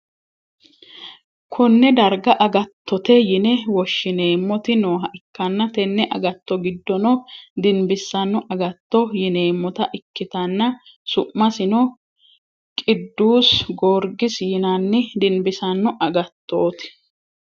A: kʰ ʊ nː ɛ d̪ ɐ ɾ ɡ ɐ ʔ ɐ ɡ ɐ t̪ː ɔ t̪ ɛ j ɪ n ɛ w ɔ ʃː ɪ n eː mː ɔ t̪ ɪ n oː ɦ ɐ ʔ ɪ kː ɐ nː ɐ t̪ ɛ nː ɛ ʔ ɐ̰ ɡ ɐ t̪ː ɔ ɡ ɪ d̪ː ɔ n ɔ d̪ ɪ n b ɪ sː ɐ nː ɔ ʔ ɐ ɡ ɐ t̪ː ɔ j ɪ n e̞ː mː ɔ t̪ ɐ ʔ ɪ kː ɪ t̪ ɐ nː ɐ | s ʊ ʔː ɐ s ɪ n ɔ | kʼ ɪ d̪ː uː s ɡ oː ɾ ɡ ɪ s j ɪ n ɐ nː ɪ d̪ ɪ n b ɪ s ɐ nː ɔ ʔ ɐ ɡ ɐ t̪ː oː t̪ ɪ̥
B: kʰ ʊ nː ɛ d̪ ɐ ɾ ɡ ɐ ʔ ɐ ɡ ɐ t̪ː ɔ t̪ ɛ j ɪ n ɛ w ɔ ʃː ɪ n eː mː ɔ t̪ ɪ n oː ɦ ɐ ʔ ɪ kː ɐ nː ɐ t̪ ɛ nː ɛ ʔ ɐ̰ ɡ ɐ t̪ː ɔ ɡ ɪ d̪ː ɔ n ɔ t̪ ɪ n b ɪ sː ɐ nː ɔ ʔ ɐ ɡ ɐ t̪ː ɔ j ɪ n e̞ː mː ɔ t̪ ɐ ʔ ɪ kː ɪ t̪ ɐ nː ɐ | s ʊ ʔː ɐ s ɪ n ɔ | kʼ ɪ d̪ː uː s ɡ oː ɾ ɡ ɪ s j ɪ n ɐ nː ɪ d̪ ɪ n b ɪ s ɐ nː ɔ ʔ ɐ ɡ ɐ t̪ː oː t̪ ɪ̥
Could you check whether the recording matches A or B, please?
A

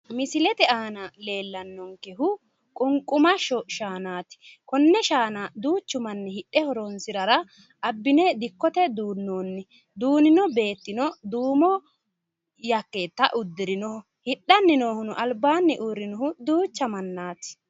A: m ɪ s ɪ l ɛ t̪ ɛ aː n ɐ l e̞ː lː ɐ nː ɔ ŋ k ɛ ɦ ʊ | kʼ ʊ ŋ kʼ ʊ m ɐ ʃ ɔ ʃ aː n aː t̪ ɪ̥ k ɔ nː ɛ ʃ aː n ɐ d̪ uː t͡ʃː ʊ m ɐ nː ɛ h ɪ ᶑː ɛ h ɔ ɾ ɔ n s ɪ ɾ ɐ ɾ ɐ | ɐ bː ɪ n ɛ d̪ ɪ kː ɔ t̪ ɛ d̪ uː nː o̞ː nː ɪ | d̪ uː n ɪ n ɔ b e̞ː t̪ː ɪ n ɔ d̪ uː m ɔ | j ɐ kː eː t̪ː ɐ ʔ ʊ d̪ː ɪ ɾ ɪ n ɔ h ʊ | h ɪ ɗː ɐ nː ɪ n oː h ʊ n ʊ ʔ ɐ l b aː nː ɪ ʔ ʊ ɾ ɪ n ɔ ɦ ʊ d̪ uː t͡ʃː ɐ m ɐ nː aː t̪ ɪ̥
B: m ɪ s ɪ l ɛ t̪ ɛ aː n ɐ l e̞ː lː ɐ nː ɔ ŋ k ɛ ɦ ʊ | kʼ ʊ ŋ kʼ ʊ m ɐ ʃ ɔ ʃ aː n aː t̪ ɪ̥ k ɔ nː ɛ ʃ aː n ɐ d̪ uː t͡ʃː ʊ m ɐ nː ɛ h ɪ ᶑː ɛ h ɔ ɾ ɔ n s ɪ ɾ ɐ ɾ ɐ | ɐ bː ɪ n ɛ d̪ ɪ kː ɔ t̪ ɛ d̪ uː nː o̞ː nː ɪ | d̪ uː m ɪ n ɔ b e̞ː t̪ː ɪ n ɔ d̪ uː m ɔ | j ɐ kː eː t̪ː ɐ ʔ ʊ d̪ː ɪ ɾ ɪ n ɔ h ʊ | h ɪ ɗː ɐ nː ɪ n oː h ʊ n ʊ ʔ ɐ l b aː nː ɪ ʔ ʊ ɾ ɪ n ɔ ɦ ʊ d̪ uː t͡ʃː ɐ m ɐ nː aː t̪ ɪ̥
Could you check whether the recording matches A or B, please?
A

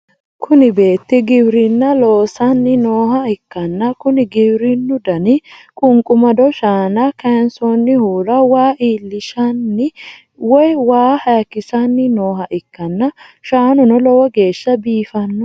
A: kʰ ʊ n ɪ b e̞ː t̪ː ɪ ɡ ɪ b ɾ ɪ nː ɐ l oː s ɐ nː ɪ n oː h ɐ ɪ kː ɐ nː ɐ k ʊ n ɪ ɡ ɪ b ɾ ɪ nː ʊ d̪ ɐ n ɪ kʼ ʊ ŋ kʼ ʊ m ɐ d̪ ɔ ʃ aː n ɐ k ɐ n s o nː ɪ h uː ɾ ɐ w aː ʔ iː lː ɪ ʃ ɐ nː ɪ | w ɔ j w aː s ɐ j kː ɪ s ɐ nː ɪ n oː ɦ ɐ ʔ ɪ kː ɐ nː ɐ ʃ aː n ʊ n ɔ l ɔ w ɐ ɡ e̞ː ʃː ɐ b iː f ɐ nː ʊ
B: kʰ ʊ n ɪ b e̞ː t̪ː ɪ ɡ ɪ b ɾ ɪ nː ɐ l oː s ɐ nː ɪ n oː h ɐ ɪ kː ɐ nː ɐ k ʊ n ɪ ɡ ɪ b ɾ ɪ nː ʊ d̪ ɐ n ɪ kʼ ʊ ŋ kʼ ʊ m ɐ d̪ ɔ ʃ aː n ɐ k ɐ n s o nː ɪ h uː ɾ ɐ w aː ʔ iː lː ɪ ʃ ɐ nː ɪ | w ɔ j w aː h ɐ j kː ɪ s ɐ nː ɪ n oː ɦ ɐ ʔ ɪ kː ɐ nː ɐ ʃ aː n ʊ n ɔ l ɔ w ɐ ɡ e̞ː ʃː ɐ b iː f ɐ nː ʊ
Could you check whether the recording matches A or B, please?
B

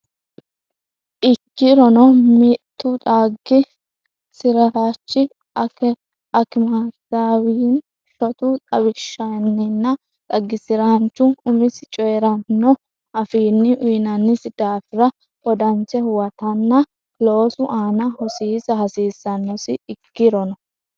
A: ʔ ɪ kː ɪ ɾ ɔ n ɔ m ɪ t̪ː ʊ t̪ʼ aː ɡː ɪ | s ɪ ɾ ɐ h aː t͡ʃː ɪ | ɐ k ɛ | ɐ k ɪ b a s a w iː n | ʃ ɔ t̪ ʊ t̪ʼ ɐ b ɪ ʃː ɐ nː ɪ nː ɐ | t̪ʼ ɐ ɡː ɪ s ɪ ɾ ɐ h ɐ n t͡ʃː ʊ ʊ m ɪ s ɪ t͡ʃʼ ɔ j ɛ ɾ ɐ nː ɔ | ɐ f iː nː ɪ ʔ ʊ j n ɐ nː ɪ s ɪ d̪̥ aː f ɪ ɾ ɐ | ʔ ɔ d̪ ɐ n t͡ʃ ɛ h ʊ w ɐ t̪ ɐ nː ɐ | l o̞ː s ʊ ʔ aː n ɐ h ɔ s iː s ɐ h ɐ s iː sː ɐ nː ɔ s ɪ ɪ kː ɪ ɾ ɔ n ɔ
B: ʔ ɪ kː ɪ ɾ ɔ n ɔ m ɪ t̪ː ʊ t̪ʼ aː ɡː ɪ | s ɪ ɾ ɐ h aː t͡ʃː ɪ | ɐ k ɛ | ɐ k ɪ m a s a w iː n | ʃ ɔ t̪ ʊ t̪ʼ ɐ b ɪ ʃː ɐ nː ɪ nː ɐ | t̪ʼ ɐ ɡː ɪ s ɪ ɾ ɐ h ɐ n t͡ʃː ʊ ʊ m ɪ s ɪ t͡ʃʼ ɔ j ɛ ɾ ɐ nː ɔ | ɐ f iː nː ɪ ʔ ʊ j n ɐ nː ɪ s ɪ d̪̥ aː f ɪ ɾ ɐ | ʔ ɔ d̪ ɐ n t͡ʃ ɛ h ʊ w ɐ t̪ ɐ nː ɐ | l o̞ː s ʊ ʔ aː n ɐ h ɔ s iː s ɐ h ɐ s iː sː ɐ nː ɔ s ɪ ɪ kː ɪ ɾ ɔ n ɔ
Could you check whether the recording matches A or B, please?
B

